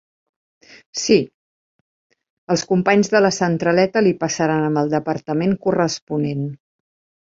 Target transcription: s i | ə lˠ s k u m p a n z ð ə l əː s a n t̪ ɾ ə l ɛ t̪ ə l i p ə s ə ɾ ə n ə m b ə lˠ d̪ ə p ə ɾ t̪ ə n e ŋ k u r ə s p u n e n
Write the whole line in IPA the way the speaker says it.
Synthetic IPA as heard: s i | ə lˠ s k u m p a ɲ z ð ə l ə s ə n t̪ ɾ ə l ɛ t̪ ə l i p ə s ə ɾ a n ə m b ə lˠ d̪ ə p ə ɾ t̪ ə m e ŋ k u r ə s p u n e n